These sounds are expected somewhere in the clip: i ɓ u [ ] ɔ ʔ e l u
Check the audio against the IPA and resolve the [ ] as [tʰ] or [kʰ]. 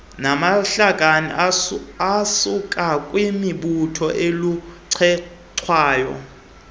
tʰ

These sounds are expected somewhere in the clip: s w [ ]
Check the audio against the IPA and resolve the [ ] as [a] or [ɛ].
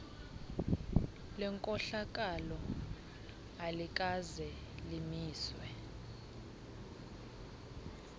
ɛ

